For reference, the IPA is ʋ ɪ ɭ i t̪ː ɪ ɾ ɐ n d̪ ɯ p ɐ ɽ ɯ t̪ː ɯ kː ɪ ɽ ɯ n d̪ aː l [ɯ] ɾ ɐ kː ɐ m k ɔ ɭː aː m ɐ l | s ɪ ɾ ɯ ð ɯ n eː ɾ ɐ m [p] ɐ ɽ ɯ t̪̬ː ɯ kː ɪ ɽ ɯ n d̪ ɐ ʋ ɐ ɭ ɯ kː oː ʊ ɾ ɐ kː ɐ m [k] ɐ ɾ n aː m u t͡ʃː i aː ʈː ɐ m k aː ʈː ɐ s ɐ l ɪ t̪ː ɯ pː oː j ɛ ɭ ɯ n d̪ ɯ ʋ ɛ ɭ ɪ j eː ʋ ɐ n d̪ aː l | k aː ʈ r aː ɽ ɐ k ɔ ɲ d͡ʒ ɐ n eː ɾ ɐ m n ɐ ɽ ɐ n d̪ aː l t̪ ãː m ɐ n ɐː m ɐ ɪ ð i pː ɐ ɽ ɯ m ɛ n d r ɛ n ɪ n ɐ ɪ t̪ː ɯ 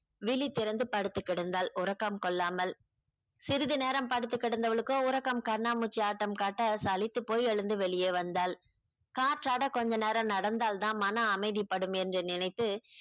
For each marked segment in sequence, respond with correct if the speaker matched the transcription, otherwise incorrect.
incorrect, correct, correct

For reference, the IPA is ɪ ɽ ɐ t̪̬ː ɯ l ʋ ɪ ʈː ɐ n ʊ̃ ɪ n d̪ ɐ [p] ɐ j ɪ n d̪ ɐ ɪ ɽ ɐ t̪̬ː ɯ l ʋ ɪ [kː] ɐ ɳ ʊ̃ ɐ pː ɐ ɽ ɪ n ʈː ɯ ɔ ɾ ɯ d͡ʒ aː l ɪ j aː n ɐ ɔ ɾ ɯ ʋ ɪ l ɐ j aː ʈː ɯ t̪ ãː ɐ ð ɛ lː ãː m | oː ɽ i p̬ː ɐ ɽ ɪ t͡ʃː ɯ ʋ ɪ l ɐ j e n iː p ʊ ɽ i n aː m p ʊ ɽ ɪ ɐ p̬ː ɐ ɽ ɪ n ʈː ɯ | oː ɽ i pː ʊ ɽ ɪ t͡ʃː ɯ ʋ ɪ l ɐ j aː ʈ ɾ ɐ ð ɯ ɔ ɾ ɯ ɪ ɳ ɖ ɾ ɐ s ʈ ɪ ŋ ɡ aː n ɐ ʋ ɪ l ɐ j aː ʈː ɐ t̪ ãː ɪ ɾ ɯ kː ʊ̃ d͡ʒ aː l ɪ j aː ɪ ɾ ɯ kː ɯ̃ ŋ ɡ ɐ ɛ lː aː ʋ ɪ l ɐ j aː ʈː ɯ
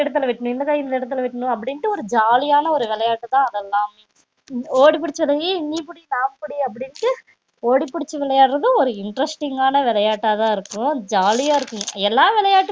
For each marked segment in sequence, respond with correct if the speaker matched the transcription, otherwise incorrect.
incorrect, incorrect

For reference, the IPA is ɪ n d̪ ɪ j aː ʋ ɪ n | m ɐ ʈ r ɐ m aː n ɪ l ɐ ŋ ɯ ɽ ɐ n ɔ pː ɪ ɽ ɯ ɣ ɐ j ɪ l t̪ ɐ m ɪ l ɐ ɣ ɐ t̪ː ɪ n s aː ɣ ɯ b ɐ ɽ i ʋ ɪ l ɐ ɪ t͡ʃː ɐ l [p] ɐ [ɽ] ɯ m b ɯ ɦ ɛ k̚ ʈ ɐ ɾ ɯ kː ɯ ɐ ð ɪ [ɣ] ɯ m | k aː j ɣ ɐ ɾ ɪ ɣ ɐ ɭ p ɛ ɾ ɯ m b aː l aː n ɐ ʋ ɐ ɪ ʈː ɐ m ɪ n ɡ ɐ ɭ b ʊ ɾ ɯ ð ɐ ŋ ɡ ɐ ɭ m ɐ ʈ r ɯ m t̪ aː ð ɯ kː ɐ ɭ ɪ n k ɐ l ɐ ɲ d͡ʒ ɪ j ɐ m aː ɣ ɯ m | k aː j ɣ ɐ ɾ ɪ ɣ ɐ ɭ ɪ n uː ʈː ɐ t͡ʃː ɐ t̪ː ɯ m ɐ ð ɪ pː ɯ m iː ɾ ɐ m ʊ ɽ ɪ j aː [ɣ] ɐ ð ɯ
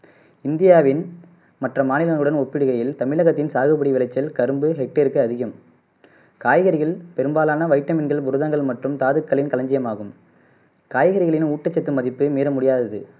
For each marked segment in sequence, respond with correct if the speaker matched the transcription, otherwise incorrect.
incorrect, incorrect, correct, incorrect

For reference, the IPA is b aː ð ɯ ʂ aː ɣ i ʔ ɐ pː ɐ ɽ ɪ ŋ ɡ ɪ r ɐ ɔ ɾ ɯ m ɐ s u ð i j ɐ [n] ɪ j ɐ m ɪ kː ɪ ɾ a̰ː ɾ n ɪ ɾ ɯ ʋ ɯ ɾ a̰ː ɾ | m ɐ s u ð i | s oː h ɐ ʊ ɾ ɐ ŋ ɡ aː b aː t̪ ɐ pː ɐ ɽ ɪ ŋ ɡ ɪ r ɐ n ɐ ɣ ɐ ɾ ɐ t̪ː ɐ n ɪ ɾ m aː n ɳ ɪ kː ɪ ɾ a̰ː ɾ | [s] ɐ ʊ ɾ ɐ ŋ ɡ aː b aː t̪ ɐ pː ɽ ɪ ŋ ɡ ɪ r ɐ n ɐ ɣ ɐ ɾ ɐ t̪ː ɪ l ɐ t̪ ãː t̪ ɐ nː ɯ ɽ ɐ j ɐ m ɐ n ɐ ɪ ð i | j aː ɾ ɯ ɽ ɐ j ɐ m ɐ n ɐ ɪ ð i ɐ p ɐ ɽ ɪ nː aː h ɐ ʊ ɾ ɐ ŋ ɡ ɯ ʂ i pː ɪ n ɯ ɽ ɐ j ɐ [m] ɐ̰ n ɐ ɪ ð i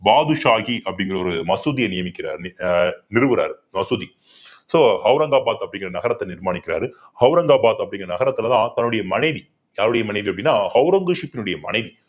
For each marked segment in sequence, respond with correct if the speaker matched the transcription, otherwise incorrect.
correct, incorrect, correct

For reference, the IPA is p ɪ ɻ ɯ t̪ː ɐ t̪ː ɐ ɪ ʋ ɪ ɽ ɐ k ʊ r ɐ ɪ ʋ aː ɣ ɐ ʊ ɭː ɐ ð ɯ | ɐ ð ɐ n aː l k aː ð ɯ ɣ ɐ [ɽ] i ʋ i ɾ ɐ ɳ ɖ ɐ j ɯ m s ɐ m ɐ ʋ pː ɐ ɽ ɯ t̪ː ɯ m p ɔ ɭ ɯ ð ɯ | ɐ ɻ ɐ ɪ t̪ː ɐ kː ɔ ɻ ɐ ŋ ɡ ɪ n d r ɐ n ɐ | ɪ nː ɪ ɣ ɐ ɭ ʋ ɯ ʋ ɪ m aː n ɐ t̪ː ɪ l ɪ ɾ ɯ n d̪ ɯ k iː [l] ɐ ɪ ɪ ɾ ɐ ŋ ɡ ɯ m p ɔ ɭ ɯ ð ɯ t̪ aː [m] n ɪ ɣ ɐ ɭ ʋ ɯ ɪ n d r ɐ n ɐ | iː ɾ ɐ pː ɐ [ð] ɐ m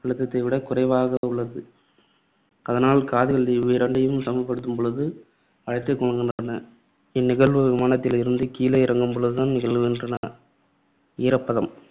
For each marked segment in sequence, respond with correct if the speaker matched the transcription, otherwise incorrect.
incorrect, correct, incorrect, correct

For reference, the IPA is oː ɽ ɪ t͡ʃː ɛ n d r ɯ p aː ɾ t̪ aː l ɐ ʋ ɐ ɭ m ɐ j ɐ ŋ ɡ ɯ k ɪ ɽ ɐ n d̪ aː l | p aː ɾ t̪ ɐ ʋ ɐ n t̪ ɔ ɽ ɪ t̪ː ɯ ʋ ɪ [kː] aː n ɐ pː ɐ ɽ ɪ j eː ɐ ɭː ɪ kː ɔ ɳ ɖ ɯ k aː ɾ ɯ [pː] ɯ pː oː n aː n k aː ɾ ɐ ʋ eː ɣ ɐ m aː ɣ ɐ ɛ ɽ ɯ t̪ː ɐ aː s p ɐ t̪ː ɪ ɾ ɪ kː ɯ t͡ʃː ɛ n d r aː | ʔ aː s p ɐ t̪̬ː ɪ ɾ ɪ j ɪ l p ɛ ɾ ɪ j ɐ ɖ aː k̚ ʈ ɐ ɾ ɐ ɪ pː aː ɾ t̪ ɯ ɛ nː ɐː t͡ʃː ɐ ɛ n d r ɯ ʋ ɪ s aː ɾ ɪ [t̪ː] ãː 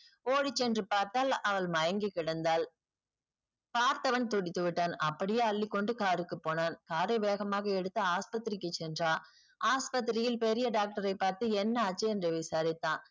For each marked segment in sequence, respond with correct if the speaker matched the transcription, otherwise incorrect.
incorrect, incorrect, correct

